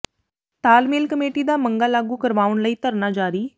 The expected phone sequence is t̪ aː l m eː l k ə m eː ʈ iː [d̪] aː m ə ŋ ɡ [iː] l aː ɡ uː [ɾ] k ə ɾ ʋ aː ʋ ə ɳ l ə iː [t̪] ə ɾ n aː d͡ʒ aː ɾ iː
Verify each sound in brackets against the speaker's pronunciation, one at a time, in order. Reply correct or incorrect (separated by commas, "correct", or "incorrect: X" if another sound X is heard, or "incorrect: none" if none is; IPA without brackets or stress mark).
correct, incorrect: aː, incorrect: none, correct